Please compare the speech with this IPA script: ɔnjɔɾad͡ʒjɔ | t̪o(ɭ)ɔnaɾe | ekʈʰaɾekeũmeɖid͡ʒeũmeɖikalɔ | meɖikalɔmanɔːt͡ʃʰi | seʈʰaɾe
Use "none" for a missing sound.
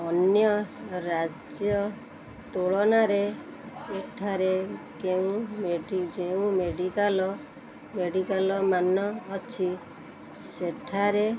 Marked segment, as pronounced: ɭ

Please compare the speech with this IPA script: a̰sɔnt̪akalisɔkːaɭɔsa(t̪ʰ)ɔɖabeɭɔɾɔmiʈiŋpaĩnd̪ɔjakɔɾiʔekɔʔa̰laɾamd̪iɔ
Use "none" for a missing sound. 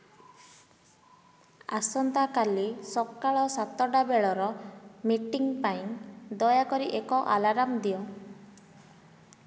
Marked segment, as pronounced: t̪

